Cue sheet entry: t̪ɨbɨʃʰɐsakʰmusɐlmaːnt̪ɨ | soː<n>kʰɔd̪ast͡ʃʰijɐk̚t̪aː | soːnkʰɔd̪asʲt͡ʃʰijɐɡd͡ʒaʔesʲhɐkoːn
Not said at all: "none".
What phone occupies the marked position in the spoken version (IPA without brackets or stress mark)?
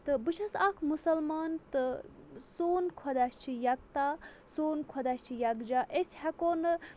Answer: n